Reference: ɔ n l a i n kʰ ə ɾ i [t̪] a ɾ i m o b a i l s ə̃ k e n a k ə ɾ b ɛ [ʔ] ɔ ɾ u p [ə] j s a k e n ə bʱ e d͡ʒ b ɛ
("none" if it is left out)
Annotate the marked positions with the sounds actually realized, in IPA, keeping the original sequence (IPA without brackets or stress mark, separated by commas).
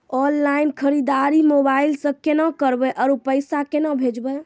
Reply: d̪, ʔ, ə